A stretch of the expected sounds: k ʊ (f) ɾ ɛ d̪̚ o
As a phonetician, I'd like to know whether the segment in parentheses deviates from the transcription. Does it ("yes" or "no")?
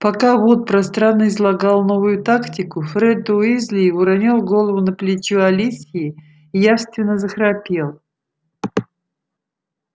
no